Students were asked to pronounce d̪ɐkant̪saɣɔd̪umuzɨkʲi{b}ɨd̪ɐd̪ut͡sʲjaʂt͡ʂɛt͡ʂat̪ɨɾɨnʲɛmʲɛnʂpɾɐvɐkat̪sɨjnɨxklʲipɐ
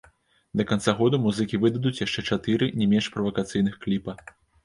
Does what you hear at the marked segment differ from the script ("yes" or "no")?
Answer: yes